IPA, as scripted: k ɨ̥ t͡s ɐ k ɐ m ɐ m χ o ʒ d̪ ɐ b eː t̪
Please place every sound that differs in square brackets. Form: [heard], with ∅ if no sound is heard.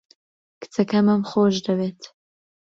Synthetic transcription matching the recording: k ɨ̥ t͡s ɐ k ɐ m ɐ m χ o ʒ d̪ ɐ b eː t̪

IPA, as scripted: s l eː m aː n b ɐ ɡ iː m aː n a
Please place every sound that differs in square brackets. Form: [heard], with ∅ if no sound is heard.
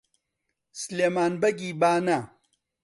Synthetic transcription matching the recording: s l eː m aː n b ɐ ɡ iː [b] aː n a

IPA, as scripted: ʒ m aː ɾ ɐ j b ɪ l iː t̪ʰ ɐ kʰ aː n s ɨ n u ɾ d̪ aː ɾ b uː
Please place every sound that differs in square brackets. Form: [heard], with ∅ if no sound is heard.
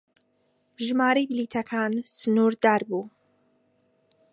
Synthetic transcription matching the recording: ʒ m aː ɾ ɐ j b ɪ l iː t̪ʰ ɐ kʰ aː n s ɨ n u ɾ d̪ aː ɾ b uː

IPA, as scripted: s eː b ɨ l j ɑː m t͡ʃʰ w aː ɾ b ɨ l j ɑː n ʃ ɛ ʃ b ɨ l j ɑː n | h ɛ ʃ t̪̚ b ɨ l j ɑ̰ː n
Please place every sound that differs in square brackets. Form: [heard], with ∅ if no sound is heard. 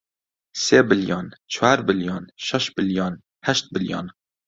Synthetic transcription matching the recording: s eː b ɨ l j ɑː [n] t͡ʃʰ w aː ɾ b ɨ l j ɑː n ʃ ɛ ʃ b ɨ l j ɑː n | h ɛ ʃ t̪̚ b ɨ l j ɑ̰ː n

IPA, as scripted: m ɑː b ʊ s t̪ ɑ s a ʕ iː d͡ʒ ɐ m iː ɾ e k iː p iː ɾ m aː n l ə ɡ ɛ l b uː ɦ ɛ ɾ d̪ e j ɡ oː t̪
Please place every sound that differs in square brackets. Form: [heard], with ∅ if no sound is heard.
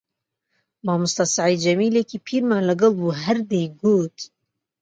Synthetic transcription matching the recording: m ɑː [m] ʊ s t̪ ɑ s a ʕ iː d͡ʒ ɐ m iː [l] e k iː [pʰ] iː ɾ m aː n l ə ɡ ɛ l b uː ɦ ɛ ɾ d̪ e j ɡ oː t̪

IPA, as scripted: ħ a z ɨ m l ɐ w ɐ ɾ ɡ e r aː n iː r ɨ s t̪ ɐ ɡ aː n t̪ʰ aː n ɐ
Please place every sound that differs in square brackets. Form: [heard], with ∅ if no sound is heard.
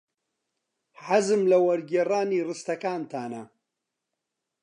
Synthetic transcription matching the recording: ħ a z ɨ m l ɐ w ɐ ɾ ɡ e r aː n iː r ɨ s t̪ ɐ [k] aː n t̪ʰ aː n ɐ

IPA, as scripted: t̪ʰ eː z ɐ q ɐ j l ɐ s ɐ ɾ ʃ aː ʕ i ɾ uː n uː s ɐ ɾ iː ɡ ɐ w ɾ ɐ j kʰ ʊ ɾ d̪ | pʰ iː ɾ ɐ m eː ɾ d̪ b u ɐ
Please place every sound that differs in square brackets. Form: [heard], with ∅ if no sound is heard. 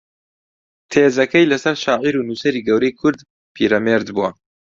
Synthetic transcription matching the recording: t̪ʰ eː z ɐ [k] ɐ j l ɐ s ɐ ɾ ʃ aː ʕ i ɾ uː n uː s ɐ ɾ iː ɡ ɐ w ɾ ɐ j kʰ ʊ ɾ d̪ | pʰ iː ɾ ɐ m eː ɾ d̪ b u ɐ

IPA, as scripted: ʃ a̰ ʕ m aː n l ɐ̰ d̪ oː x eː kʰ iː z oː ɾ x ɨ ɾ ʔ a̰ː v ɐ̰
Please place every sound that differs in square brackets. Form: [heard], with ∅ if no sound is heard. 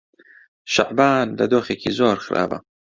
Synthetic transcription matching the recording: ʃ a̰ ʕ [b] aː n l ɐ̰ d̪ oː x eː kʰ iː z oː ɾ x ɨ ɾ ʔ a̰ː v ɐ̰

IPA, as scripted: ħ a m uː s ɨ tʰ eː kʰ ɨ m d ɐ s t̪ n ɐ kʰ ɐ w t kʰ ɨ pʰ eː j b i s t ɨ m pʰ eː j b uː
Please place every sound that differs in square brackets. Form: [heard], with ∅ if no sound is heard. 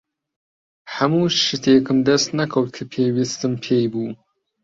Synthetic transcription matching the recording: ħ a m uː [ʃ] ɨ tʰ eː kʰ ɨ m d ɐ s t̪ n ɐ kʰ ɐ w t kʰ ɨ pʰ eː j [w] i s t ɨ m pʰ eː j b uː

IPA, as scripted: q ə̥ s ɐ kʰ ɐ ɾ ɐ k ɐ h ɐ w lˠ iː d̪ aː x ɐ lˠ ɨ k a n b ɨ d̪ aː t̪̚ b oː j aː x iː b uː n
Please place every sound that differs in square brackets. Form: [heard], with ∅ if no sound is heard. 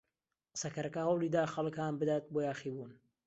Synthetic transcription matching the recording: q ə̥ s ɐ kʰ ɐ ɾ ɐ k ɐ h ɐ w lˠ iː d̪ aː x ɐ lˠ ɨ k a n b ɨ d̪ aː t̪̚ b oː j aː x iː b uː n

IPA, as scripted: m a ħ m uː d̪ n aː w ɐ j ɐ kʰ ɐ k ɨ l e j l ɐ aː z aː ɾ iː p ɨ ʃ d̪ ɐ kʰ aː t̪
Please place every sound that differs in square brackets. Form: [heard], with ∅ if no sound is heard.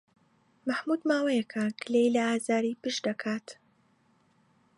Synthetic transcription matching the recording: m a ħ m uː d̪ [m] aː w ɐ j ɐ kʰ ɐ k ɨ l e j l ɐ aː z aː ɾ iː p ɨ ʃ d̪ ɐ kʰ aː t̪

